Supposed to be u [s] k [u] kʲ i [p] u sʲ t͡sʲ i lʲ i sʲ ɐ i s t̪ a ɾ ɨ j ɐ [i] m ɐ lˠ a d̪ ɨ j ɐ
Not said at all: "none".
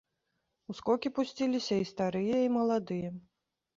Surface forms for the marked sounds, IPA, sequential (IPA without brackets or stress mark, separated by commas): s, ɔ, p, i